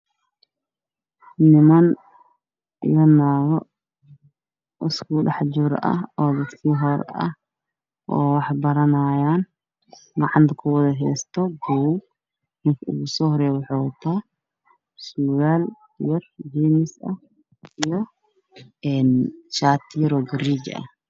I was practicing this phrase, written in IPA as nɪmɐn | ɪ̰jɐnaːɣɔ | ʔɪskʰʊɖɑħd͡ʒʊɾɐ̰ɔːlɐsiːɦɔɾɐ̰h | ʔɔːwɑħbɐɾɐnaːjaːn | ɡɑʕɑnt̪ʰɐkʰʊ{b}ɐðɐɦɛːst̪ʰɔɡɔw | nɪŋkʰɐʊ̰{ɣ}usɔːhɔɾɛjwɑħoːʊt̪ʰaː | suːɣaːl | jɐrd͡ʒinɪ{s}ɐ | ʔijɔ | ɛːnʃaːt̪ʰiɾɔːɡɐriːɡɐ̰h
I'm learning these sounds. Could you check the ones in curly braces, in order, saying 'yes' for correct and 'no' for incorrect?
no, yes, yes

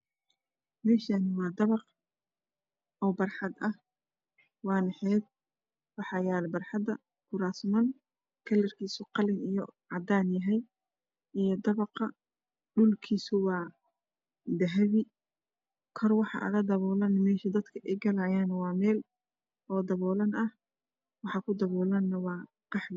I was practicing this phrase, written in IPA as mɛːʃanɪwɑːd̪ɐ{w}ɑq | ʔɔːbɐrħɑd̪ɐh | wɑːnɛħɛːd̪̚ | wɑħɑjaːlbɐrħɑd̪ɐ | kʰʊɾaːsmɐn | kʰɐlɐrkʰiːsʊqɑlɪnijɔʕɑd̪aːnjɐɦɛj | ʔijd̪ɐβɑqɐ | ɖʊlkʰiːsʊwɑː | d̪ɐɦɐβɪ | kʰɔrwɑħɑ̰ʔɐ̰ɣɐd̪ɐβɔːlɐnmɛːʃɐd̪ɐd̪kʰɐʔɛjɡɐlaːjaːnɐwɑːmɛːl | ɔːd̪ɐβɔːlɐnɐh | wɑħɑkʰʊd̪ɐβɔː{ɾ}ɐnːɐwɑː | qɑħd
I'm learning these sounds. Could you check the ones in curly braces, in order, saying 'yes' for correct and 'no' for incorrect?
no, no

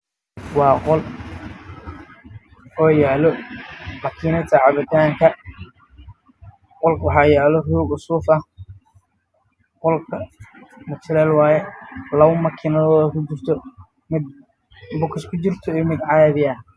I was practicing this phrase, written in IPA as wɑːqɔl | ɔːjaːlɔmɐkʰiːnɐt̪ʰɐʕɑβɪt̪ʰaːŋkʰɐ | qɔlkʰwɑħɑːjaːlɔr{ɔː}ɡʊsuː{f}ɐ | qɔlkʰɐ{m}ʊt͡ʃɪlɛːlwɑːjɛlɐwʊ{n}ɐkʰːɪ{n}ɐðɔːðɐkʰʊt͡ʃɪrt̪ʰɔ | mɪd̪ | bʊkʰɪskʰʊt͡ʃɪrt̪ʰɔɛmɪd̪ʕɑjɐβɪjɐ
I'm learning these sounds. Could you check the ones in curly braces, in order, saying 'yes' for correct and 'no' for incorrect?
no, yes, yes, no, yes

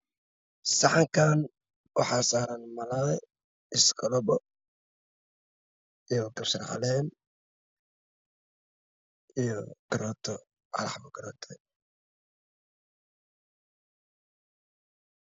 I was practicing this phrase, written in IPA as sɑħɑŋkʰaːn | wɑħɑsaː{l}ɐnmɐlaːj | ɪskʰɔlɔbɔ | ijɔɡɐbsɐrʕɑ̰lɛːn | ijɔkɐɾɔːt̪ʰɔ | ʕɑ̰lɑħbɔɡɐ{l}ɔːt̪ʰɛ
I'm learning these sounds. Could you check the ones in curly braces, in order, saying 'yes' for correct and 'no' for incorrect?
no, no

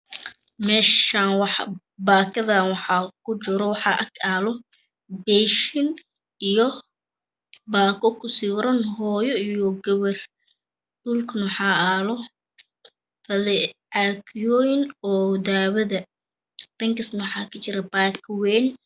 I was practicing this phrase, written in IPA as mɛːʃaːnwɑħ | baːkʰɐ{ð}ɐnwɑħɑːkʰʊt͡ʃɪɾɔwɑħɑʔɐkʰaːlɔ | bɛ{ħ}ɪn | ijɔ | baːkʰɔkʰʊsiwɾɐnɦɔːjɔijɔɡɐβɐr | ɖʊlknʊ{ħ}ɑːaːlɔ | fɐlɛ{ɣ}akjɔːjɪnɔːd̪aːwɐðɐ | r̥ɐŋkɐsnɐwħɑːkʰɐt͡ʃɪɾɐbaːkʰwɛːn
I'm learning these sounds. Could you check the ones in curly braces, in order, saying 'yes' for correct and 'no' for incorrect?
yes, no, yes, no

